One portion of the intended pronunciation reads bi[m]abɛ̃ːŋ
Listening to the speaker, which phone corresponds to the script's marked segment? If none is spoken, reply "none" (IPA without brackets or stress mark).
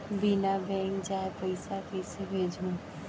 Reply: n